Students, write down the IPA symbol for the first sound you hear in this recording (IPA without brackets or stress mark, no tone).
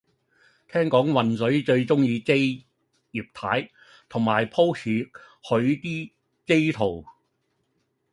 t̪ʰ